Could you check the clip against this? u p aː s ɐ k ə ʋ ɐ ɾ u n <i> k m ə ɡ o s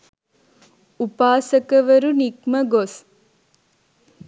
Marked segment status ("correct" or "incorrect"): correct